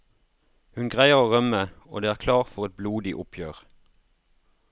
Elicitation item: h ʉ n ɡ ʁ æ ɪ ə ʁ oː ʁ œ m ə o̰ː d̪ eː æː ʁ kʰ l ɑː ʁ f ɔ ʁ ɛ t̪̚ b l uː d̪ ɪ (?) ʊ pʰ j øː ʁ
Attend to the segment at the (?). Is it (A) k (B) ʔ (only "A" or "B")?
B